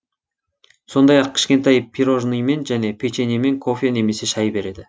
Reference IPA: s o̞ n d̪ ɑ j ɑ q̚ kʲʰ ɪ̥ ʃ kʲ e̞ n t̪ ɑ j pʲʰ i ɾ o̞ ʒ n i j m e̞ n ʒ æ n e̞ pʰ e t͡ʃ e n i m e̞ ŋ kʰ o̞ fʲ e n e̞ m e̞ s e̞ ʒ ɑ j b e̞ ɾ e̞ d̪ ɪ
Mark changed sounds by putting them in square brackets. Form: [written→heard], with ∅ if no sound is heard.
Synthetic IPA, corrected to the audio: s o̞ n d̪ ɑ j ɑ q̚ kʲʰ ɪ̥ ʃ kʲ e̞ n t̪ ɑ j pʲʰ i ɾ o̞ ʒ n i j m e̞ n ʒ æ n e̞ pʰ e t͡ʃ e n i m e̞ ŋ kʰ o̞ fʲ e n e̞ m e̞ s e̞ [ʒ→ʃ] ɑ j b e̞ ɾ e̞ d̪ ɪ